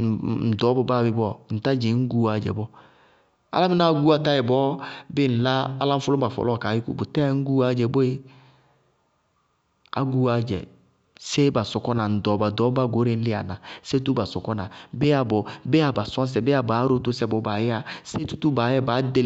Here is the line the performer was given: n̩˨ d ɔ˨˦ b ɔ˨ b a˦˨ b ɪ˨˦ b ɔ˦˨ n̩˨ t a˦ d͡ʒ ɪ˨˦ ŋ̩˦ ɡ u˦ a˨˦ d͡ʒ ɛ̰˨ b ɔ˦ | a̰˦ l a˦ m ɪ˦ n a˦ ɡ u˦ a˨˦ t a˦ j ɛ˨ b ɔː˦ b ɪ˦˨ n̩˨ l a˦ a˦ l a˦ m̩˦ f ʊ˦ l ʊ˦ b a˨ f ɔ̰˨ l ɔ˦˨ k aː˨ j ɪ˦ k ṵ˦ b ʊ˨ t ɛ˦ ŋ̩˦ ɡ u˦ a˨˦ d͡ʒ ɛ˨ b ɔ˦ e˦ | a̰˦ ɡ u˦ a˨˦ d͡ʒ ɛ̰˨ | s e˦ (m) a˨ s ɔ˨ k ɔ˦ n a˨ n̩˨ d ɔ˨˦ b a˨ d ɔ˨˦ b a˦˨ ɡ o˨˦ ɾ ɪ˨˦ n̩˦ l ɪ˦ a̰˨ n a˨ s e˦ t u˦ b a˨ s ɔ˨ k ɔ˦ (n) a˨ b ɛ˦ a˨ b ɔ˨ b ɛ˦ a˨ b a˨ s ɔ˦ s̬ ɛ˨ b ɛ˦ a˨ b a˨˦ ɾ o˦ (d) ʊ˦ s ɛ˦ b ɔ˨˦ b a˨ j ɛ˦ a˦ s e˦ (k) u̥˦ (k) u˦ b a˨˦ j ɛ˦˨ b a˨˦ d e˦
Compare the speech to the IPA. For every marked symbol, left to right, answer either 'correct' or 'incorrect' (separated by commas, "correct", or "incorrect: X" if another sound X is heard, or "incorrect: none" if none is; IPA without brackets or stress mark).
incorrect: b, correct, incorrect: t, incorrect: t, incorrect: t